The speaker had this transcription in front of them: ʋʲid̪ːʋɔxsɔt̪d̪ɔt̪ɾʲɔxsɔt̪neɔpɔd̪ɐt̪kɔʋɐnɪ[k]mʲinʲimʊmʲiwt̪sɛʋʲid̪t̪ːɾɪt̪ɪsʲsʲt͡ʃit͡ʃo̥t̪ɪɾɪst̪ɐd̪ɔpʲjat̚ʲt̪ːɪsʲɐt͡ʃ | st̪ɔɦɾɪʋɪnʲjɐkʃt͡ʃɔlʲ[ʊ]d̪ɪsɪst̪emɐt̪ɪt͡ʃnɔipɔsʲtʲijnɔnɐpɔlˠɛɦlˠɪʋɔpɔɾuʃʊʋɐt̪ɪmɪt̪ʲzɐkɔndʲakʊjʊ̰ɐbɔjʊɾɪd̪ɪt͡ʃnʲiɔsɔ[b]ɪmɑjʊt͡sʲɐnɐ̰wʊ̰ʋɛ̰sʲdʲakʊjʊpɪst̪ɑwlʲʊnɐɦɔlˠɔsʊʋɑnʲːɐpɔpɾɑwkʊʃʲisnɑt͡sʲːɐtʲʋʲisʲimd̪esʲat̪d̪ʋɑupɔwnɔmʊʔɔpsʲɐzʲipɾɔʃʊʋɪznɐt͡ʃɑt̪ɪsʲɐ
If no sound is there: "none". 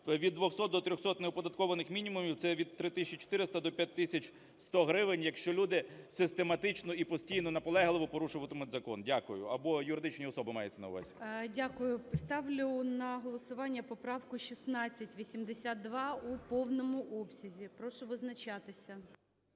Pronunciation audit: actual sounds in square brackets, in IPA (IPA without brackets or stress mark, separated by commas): x, u, b